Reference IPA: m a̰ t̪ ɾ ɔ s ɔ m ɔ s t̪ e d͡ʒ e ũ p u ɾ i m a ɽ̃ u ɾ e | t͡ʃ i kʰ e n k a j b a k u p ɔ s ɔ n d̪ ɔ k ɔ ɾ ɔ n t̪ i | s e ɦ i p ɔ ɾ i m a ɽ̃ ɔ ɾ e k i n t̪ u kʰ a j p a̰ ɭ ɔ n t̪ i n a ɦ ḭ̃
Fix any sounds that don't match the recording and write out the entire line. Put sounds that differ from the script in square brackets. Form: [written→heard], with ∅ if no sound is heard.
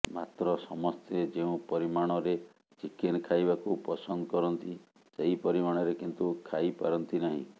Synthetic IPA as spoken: m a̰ t̪ ɾ ɔ s ɔ m ɔ s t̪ e d͡ʒ e ũ p [u→ɔ] ɾ i m a ɽ̃ [u→ɔ] ɾ e | t͡ʃ i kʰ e n [k→kʰ] a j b a k u p ɔ s ɔ n d̪ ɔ k ɔ ɾ ɔ n t̪ i | s e ɦ i p ɔ ɾ i m a ɽ̃ ɔ ɾ e k i n t̪ u kʰ a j p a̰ [ɭ→ɾ] ɔ n t̪ i n a ɦ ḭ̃